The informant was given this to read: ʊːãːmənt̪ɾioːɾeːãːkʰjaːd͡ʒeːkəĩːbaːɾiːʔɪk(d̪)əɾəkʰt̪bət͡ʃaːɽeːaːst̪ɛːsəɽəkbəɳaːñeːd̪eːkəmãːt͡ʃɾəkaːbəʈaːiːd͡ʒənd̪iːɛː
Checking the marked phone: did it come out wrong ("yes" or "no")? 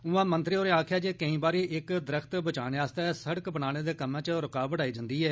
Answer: no